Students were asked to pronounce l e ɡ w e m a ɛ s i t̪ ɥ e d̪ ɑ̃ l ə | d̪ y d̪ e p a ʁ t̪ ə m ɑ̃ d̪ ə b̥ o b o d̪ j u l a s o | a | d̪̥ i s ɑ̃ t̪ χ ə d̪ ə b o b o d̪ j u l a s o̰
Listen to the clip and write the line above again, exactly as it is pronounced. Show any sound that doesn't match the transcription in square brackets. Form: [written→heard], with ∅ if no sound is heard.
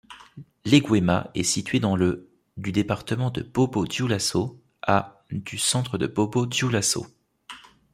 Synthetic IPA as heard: l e ɡ w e m a ɛ s i t̪ ɥ e d̪ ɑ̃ l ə | d̪ y d̪ e p a ʁ t̪ ə m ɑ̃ d̪ ə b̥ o b o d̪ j u l a s o | a | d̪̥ [i→y] s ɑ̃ t̪ χ ə d̪ ə b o b o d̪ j u l a s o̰